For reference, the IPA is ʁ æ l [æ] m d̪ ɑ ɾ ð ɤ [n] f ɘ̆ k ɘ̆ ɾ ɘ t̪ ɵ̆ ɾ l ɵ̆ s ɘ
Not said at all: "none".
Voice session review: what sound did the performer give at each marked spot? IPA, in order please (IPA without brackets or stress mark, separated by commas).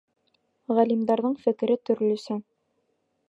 i, ɴ